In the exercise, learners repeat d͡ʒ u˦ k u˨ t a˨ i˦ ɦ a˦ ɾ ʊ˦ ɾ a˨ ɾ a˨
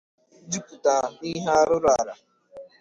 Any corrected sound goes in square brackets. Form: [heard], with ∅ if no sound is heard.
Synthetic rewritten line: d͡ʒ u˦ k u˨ t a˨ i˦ ɦ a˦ ɾ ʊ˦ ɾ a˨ ɾ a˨

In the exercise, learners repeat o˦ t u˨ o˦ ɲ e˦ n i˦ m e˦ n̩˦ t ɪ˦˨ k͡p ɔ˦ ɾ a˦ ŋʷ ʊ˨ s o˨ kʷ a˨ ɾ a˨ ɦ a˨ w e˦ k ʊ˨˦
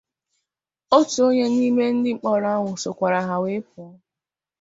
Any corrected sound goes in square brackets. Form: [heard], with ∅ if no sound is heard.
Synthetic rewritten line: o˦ t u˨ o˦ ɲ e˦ n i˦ m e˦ n̩˦ [d] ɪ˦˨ k͡p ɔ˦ ɾ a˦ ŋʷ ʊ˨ s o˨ kʷ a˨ ɾ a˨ ɦ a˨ w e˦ [p] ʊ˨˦

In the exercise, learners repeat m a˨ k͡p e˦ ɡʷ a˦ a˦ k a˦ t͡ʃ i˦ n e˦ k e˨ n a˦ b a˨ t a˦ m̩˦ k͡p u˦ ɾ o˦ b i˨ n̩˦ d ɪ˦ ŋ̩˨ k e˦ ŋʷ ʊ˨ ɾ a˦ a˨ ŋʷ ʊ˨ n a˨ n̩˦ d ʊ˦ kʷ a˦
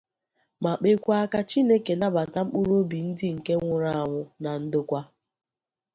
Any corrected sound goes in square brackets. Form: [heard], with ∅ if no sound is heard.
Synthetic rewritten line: m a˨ k͡p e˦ [kʷ] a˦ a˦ k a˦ t͡ʃ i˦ n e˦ k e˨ n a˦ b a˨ t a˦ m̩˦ k͡p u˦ ɾ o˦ b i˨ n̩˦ d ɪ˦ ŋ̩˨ k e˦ ŋʷ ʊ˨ ɾ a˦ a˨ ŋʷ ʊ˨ n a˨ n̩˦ d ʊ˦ kʷ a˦

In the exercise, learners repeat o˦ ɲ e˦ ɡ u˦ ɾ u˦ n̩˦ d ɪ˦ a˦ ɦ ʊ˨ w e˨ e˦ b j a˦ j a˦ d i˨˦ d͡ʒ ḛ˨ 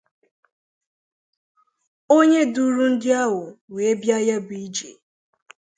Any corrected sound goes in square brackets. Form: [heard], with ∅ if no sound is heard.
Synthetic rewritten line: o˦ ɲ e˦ [d] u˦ ɾ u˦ n̩˦ d ɪ˦ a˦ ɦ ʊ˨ w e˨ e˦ b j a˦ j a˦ [b] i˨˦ d͡ʒ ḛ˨

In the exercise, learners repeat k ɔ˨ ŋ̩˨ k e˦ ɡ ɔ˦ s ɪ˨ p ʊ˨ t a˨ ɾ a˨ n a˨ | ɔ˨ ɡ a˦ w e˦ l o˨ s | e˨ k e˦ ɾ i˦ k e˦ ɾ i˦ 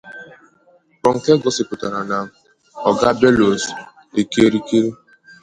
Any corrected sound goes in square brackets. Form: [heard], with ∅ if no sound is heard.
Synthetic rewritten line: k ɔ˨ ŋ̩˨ k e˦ ɡ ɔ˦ s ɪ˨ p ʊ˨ t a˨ ɾ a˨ n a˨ | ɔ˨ ɡ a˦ [b] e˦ l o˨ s | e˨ k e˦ ɾ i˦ k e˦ ɾ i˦

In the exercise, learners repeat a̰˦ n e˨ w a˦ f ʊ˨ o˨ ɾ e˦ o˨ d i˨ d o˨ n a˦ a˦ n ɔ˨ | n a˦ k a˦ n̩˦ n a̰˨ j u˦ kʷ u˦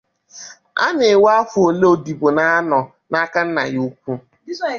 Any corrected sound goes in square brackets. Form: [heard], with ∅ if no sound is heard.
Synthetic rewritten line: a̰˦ n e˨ w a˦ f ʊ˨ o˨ [l] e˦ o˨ d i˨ [b] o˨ n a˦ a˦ n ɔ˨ | n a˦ k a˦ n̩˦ n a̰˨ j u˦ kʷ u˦

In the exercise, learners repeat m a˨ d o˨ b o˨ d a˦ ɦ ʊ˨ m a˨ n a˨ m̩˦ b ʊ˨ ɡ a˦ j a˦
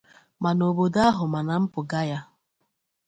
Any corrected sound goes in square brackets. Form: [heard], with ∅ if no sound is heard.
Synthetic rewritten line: m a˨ [n] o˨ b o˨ d a˦ ɦ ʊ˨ m a˨ n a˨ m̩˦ [p] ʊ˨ ɡ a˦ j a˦

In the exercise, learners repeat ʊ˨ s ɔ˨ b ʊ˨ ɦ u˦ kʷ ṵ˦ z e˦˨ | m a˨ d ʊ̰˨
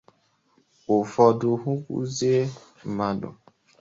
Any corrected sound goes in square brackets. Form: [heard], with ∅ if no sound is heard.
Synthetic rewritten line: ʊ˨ [f] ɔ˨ [d] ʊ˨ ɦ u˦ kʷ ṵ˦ z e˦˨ | m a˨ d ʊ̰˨

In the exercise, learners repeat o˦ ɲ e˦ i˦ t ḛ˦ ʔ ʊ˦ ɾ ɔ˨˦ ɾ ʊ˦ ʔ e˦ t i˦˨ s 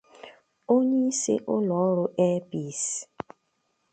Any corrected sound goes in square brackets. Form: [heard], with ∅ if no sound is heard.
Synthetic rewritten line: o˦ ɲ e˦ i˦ [s] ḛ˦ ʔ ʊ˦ [l] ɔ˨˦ ɾ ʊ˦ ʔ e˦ [p] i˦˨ s

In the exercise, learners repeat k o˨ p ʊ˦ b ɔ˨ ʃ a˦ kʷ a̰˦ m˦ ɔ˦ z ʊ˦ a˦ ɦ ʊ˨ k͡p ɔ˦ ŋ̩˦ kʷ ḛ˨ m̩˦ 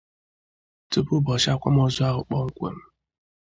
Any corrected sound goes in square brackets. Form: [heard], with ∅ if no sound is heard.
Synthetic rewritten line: [t] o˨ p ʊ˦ b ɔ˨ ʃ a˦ kʷ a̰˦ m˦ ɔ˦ z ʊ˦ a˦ ɦ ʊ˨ k͡p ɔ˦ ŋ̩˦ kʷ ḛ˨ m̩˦

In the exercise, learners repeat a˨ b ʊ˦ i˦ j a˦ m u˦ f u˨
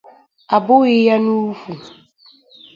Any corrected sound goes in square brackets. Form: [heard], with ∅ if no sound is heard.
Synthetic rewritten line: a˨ b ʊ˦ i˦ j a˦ [n] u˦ f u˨

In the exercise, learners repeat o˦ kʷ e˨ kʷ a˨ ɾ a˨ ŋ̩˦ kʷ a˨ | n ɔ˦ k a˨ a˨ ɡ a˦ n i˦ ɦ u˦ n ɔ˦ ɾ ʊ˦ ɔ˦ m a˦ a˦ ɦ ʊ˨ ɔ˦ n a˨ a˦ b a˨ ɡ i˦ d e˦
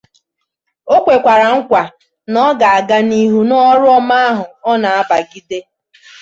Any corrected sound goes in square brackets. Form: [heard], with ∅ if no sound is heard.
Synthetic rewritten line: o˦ kʷ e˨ kʷ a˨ ɾ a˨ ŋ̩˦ kʷ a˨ | n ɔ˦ [ɡ] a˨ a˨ ɡ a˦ n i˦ ɦ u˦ n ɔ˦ ɾ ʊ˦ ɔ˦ m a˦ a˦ ɦ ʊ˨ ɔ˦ n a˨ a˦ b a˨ ɡ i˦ d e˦

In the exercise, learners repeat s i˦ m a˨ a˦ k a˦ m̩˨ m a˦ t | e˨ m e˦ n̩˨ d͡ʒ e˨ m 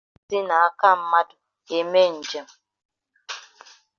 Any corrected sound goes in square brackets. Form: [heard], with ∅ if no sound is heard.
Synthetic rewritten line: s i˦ [n] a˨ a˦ k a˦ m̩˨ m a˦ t | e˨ m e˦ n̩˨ d͡ʒ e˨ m

